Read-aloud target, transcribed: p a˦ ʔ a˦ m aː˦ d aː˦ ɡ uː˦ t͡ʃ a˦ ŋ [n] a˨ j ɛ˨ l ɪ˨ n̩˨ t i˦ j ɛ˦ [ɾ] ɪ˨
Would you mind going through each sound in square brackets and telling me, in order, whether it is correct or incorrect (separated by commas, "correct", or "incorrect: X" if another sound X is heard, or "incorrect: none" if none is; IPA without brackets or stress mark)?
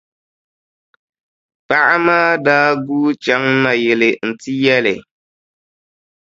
correct, incorrect: l